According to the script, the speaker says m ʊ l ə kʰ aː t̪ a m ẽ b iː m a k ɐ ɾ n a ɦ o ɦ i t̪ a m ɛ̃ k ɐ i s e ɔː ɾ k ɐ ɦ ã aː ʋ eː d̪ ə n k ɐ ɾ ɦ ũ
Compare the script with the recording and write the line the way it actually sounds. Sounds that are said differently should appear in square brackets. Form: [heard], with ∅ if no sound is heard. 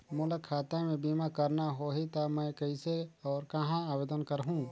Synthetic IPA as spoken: m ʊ l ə kʰ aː t̪ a m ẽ b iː m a k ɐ ɾ n a ɦ o ɦ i t̪ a m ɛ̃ k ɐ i s e ɔː ɾ k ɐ ɦ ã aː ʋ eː d̪ ə n k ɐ ɾ ɦ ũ